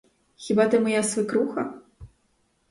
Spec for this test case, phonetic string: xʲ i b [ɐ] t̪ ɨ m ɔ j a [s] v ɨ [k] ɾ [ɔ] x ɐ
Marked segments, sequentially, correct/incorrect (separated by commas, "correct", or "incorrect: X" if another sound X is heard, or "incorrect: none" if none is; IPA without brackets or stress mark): incorrect: a, correct, correct, incorrect: u